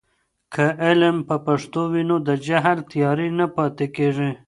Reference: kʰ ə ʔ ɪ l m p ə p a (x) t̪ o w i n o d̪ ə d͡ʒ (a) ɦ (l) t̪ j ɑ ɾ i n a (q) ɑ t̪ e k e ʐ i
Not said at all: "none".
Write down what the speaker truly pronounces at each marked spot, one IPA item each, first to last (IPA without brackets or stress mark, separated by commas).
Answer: ʂ, a, l, p